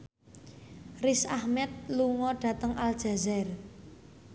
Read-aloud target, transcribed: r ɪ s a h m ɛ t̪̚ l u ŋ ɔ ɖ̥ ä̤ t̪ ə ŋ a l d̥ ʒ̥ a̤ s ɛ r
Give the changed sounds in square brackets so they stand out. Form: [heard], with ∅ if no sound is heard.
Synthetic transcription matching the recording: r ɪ s a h m ɛ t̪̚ l u ŋ ɔ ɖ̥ ä̤ t̪ ə ŋ a l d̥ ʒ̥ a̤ [z] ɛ r